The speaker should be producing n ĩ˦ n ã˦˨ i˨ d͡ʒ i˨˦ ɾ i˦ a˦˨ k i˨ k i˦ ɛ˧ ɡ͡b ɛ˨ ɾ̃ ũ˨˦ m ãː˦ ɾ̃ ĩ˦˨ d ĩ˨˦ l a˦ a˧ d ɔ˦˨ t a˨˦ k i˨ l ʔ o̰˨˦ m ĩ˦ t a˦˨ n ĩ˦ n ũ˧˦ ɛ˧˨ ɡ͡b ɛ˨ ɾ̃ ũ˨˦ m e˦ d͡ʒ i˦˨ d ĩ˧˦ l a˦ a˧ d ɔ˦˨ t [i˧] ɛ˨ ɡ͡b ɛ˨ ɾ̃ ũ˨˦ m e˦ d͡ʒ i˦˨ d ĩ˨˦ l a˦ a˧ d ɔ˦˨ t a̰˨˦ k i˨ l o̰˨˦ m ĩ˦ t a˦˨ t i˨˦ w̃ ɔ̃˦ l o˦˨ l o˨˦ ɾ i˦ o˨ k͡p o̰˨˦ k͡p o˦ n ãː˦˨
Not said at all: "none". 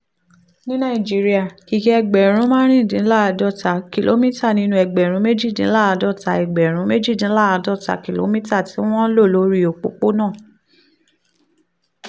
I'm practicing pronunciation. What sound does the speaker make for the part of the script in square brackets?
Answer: a˧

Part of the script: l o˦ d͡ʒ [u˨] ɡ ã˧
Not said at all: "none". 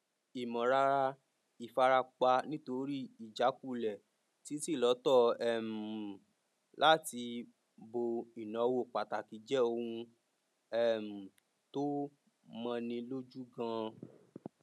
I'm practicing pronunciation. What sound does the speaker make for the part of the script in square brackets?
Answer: u˦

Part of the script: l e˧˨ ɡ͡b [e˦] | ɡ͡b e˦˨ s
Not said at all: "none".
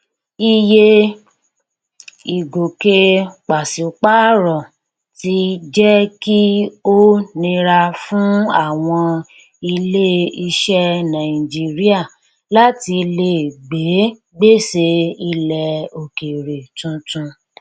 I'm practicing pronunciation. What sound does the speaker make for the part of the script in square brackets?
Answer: e˨˦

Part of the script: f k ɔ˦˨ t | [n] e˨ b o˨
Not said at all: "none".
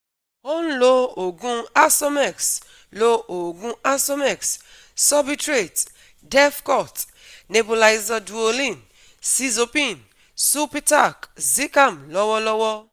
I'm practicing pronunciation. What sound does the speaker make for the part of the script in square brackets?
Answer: n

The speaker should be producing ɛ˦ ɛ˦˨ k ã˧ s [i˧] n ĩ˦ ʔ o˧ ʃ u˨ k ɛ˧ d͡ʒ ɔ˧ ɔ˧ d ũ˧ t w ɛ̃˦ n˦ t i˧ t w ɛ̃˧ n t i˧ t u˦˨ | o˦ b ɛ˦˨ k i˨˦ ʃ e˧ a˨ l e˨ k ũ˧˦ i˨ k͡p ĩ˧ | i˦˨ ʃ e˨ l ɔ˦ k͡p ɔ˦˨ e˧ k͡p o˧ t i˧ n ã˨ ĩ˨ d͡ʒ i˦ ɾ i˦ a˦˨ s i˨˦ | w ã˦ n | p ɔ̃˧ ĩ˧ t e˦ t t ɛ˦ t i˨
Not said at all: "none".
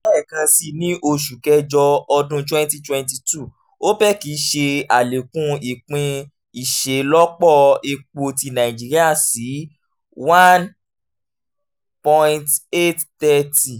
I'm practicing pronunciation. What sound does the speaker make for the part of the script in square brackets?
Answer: i˧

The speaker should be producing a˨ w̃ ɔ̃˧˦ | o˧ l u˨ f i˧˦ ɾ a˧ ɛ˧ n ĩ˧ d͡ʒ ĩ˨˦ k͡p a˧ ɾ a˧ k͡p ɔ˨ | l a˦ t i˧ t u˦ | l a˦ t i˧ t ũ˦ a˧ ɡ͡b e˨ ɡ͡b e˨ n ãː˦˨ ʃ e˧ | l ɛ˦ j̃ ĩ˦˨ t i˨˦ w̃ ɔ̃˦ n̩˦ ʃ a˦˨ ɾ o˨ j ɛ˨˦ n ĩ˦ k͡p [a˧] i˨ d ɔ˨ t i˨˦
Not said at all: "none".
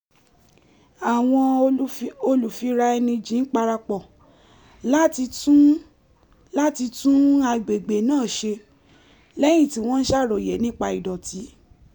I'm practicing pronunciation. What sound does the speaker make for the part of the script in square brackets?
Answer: a˧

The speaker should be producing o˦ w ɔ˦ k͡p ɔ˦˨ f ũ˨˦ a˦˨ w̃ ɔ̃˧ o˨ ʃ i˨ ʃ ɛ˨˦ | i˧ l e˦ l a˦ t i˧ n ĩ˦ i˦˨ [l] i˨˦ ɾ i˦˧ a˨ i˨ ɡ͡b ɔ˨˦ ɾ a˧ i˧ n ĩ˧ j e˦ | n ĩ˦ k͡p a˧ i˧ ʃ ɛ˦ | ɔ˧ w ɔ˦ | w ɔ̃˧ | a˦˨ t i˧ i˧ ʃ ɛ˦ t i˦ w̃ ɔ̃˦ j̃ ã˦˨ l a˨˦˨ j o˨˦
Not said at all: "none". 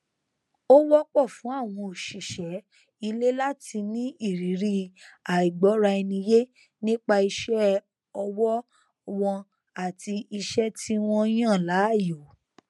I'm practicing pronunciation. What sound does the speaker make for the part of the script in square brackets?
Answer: ɾ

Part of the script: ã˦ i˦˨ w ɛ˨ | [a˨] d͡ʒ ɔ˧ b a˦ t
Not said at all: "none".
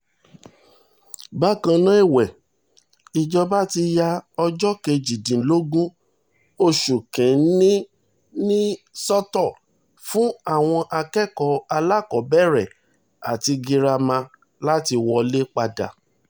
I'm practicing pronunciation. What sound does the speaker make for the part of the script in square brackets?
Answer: i˨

